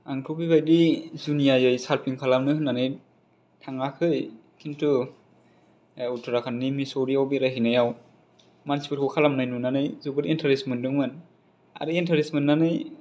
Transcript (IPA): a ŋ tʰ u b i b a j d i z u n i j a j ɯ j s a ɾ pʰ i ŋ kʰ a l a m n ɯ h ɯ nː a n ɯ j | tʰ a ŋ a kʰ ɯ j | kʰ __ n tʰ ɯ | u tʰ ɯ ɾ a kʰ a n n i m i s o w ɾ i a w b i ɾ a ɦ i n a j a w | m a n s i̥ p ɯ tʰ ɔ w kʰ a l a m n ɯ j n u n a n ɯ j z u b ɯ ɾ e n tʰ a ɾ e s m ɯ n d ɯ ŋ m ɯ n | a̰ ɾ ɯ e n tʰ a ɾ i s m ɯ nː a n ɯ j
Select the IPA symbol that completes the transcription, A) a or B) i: B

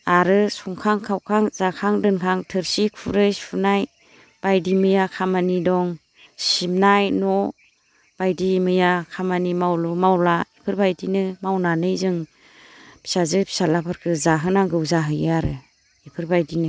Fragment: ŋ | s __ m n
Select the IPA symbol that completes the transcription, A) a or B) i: B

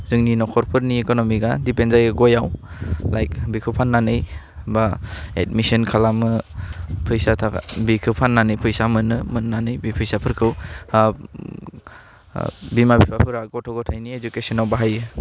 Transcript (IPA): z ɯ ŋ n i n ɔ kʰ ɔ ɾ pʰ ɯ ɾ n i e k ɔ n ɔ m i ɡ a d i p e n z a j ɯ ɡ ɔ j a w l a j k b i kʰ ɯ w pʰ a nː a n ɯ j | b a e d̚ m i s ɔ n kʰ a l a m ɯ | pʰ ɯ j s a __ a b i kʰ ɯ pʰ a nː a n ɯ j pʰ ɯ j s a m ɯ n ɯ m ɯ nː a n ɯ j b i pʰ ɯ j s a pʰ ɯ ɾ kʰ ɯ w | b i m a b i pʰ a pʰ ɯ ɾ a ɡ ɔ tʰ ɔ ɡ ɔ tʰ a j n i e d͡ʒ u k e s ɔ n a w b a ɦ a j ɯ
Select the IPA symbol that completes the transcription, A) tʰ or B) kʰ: A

